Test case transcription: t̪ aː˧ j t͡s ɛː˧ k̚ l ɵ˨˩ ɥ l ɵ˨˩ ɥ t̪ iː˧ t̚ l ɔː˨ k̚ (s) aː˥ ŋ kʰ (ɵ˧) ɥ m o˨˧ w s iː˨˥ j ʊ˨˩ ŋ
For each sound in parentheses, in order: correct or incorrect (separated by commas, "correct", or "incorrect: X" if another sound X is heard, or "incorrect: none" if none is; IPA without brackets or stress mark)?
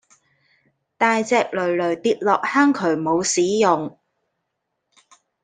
incorrect: h, incorrect: ɵ˨˩